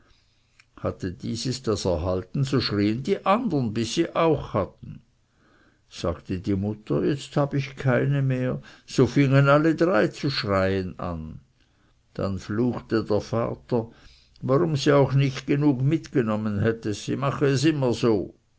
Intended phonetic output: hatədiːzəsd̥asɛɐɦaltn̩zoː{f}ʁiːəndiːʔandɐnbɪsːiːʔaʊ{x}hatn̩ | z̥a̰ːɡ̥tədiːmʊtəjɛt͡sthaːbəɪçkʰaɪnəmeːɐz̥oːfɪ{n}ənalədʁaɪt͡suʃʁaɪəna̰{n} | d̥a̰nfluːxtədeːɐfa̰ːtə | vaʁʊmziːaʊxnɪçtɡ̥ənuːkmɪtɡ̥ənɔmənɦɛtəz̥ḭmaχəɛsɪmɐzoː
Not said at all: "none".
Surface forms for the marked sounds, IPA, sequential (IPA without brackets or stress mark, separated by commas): ʃ, x, ŋ, n